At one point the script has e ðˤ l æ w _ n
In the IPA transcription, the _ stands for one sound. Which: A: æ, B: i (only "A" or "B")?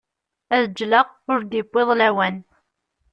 A